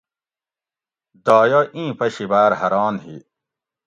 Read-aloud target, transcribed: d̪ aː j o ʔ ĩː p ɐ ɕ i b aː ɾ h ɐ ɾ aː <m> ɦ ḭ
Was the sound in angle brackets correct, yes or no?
no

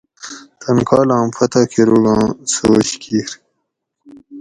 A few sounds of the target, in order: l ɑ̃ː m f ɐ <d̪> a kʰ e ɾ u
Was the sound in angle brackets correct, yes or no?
no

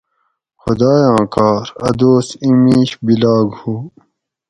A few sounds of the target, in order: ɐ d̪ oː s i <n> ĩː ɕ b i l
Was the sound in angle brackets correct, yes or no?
no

